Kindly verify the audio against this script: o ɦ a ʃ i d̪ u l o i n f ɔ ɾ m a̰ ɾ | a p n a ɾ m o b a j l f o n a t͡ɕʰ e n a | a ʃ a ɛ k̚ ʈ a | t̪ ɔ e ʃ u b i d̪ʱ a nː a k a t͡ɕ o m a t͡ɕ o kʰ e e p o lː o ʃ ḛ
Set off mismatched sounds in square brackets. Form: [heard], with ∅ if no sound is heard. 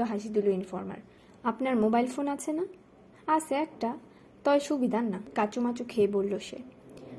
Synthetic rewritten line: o ɦ a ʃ i d̪ u l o i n f ɔ ɾ m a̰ ɾ | a p n a ɾ m o b a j l f o n a t͡ɕʰ e n a | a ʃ [e] ɛ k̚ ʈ a | t̪ ɔ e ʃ u b i d̪ʱ a nː a k a t͡ɕ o m a t͡ɕ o kʰ e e [b] o lː o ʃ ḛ